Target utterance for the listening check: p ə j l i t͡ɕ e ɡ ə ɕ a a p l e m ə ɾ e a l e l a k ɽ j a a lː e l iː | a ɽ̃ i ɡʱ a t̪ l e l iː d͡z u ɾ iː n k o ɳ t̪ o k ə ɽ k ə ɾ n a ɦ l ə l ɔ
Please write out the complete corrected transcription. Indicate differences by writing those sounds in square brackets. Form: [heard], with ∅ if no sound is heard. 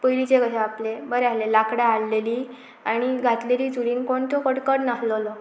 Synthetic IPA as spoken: p ə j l i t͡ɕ e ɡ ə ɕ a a p l e [b] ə ɾ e a l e l a k ɽ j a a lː e l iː | a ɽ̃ i ɡʱ a t̪ l e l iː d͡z u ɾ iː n k o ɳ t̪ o k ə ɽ k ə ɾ n a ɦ l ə l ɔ